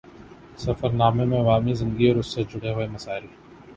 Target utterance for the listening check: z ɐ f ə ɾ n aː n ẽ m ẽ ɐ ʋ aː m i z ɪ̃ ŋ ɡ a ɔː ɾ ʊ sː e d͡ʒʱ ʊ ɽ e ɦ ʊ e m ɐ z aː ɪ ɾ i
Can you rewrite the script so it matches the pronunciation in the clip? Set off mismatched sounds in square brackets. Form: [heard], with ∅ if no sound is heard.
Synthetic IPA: [s] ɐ f ə ɾ n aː [m] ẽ m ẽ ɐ ʋ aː m i z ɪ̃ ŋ ɡ [i] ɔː ɾ ʊ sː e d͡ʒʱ ʊ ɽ e ɦ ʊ e m ɐ [s] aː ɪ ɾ i